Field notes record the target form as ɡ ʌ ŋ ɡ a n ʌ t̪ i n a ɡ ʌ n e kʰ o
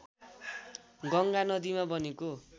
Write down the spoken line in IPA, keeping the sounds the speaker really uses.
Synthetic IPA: ɡ ʌ ŋ ɡ a n ʌ d̪ i m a b ʌ n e k o